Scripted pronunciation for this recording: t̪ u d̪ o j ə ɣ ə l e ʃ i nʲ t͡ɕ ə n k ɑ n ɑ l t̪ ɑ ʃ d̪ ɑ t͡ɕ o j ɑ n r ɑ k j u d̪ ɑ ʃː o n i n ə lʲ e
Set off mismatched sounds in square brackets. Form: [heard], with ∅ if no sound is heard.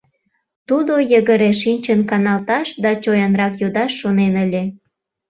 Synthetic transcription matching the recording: t̪ u d̪ o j ə ɣ ə [ɾ] e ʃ i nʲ t͡ɕ ə n k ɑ n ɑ l t̪ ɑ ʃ d̪ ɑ t͡ɕ o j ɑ n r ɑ k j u d̪ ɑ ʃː o n [e] n ə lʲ e